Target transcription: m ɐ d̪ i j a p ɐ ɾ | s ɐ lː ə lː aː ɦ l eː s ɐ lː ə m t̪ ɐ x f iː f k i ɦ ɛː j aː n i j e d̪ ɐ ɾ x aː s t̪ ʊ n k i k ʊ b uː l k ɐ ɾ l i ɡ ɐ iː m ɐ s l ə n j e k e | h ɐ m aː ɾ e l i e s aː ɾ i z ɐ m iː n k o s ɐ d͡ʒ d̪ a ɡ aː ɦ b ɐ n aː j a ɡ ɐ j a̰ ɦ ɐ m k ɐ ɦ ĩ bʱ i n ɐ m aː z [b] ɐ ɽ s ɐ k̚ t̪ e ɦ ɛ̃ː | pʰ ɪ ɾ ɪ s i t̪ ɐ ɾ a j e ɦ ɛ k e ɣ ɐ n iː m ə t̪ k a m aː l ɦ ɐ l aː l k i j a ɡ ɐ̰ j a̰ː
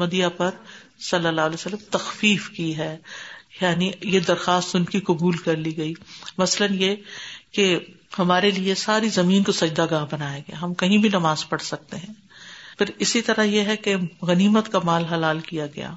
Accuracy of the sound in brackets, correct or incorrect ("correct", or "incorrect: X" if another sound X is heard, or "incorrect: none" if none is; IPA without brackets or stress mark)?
incorrect: p